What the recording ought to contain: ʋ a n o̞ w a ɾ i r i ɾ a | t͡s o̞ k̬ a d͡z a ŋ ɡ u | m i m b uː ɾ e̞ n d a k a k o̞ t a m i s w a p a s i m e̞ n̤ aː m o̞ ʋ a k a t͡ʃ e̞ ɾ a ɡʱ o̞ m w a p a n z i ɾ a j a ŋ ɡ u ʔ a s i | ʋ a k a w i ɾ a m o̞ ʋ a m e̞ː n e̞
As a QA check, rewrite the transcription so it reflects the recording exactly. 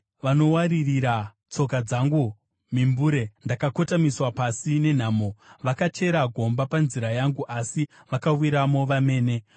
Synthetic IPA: ʋ a n o̞ w a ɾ i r i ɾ a | t͡s o̞ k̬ a d͡z a ŋ ɡ u | m i m b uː ɾ e̞ n d a k a k o̞ t a m i s w a p a s i n e̞ n̤ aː m o̞ ʋ a k a t͡ʃ e̞ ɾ a ɡʱ o̞ m b a p a n z i ɾ a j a ŋ ɡ u ʔ a s i | ʋ a k a w i ɾ a m o̞ ʋ a m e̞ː n e̞